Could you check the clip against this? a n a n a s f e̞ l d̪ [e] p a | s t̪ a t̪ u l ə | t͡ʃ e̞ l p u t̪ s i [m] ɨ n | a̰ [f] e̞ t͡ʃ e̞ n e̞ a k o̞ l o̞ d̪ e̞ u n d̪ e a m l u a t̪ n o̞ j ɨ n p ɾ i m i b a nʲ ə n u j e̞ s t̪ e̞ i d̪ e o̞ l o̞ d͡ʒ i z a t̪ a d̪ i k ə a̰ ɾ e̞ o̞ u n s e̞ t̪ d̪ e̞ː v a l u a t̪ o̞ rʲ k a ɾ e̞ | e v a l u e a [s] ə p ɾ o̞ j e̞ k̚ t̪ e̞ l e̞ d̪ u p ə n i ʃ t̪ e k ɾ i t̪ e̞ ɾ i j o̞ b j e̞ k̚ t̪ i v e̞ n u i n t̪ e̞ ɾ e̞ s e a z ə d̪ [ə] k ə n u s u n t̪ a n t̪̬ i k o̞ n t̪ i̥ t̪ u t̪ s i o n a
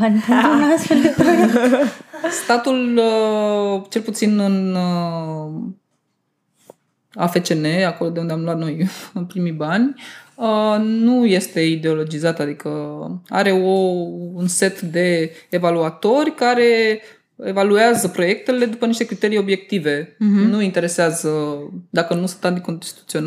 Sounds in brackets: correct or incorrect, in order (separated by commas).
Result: correct, incorrect, correct, incorrect, incorrect